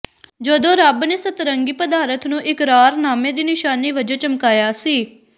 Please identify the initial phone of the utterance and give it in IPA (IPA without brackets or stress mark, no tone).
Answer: d͡ʒ